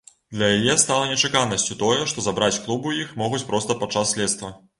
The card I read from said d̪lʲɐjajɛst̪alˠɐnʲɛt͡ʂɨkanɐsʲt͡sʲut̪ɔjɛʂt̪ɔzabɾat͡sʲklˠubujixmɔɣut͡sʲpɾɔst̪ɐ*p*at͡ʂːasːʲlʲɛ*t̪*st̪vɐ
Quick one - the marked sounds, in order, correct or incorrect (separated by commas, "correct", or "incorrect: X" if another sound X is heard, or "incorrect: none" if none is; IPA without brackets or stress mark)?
correct, correct